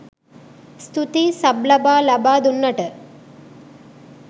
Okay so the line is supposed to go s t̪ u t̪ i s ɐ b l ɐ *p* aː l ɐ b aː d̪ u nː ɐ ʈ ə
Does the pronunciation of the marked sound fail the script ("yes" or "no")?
yes